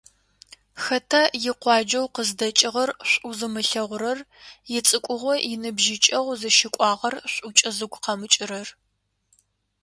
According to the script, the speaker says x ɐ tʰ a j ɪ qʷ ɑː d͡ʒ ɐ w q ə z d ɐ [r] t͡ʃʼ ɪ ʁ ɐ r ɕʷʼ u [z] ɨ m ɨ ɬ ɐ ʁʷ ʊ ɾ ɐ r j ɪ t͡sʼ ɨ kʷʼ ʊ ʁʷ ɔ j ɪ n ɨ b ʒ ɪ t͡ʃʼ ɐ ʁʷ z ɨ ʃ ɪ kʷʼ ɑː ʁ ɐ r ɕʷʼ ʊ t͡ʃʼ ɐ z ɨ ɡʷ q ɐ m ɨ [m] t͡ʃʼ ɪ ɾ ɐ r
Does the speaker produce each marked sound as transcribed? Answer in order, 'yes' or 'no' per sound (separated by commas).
no, yes, no